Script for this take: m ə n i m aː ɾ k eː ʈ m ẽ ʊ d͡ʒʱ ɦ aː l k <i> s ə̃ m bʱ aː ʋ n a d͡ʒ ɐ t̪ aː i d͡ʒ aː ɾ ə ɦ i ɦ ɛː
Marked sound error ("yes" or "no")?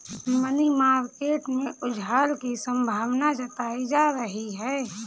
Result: no